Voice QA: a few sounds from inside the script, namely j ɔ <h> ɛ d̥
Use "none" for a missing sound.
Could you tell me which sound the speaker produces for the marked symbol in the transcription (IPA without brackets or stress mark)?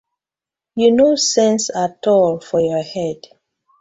h